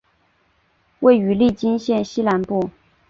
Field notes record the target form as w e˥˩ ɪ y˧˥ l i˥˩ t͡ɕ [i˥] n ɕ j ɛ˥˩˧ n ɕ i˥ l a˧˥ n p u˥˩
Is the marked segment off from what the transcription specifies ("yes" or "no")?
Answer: no